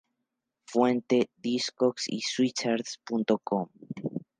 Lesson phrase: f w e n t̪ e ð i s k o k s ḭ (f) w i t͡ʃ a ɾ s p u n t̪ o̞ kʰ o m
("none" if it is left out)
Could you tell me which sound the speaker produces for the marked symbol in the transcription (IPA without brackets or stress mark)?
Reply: s